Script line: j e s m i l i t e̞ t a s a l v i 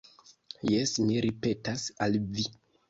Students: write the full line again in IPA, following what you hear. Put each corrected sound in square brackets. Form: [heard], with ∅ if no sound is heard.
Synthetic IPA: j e s m i [ɾ] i [p] e̞ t a s a l v i